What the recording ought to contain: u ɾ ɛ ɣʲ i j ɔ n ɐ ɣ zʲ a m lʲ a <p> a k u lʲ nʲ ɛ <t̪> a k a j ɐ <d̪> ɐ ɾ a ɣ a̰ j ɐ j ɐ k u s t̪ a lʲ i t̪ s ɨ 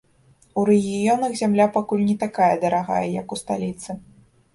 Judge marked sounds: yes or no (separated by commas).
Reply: yes, yes, yes